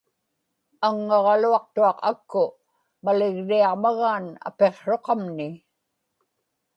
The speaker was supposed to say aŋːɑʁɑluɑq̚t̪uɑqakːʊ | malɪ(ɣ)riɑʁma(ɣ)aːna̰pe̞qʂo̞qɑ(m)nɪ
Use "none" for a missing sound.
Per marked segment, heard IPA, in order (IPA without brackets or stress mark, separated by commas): ɣ, ɣ, m